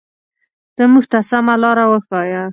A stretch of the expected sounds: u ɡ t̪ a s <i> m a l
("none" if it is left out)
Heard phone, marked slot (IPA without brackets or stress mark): a